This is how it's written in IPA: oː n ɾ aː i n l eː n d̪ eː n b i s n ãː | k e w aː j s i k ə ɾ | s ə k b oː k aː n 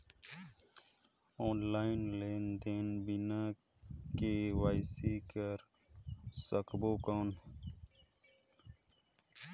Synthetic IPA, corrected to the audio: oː n l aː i n l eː n d̪ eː n b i n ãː | k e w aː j s i k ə ɾ | s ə k b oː k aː n